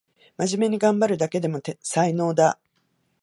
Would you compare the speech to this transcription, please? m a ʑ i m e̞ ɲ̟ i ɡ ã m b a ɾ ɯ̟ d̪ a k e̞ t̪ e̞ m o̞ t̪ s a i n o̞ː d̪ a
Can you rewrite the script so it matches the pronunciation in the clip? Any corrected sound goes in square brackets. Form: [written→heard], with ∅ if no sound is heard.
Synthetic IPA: m a ʑ i m e̞ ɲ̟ i ɡ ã m b a ɾ ɯ̟ d̪ a k e̞ [t̪→d̪] e̞ m o̞ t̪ s a i n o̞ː d̪ a